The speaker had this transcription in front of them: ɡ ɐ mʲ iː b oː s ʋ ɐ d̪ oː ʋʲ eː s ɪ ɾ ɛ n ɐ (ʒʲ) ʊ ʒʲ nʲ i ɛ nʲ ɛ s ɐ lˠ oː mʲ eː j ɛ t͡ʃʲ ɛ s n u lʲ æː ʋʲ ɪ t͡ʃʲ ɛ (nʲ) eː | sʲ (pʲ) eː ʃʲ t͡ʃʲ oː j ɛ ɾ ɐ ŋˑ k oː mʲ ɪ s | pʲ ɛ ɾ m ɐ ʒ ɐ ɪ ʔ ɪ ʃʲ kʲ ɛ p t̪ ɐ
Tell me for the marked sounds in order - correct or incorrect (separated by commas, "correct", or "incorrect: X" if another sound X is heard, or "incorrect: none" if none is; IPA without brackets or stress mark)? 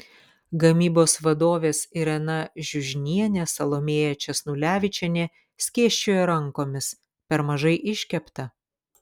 correct, correct, incorrect: kʲ